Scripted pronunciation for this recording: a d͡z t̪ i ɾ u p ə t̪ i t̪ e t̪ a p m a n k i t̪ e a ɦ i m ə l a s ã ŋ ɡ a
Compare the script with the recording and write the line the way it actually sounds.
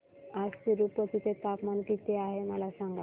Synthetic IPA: a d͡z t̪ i ɾ u p ə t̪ i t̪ e t̪ a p m a n k i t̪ e a ɦ e m ə l a s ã ŋ ɡ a